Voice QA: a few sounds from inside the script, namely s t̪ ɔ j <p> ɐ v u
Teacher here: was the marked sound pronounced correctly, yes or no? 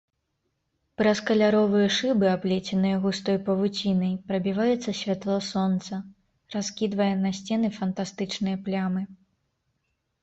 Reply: yes